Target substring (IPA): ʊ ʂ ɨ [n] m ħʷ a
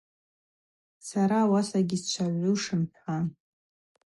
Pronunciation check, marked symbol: incorrect: none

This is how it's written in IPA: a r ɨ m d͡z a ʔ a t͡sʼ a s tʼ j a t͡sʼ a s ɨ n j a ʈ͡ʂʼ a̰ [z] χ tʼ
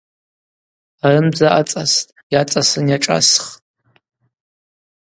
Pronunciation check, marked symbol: incorrect: s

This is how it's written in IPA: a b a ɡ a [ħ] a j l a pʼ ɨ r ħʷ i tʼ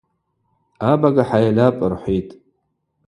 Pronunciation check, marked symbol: correct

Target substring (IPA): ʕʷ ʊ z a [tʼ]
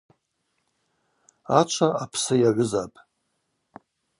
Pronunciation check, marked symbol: incorrect: pʼ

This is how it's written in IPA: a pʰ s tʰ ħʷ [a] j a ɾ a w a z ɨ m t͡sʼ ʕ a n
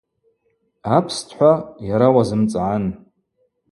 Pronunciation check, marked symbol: correct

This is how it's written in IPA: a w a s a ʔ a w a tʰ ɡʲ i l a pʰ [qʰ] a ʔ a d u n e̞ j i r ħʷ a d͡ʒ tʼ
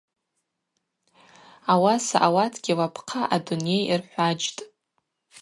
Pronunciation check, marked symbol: correct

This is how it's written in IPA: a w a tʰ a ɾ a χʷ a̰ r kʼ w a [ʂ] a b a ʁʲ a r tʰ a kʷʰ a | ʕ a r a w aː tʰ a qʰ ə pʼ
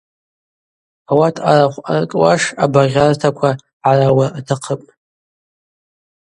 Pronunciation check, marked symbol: correct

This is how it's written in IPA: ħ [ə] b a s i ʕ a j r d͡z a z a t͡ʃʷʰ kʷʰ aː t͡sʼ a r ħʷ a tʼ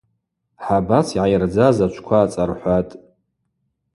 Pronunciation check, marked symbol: incorrect: a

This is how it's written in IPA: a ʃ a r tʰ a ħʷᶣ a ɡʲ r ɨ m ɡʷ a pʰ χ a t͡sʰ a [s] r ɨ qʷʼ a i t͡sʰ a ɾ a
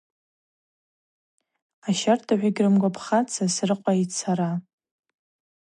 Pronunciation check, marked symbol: correct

